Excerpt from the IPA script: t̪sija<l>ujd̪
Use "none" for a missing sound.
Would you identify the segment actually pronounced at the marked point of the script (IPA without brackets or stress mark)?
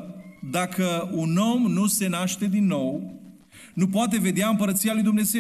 l